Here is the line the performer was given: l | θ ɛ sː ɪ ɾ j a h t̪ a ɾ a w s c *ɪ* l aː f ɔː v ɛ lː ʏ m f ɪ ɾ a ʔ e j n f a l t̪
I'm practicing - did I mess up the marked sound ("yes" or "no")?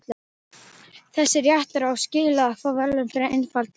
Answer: yes